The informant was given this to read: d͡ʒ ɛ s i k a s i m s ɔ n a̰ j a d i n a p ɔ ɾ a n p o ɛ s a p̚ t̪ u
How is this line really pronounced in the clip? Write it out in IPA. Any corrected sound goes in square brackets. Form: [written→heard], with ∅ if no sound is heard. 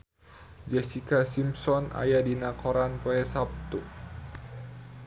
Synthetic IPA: d͡ʒ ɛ s i k a s i m s ɔ n a̰ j a d i n a [p→k] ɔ ɾ a n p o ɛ s a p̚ t̪ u